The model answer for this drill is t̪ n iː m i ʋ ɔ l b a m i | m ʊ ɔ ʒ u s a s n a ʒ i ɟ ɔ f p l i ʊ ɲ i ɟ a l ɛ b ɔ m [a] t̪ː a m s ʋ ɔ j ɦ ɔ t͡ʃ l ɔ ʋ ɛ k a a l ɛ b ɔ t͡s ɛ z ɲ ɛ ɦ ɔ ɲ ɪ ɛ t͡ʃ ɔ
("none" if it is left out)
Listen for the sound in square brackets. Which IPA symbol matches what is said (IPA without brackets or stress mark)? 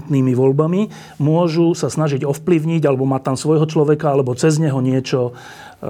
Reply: a